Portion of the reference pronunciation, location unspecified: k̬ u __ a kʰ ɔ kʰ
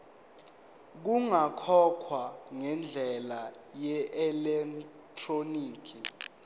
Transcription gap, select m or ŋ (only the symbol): ŋ